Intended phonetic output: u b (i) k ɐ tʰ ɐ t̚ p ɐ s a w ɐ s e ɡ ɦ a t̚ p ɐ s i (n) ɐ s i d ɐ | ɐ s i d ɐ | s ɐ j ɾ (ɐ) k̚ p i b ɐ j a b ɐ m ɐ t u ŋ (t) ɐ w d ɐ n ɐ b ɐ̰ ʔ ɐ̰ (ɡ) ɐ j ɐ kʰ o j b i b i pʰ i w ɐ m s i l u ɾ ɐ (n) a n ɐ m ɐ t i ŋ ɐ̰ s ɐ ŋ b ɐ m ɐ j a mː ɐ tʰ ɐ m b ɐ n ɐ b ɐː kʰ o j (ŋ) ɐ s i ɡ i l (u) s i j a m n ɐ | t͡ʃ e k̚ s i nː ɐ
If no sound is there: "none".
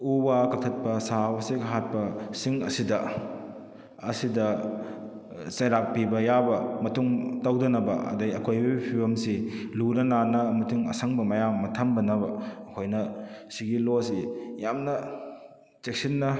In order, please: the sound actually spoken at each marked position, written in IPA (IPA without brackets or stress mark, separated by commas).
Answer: a, ŋ, a, t, d, n, n, o